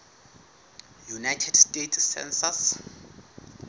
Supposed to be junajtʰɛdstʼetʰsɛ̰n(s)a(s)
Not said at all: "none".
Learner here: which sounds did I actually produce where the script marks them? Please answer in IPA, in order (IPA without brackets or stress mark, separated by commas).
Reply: s, s